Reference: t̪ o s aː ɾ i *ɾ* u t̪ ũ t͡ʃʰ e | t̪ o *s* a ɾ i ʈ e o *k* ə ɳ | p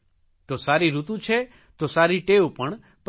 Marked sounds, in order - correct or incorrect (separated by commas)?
correct, correct, incorrect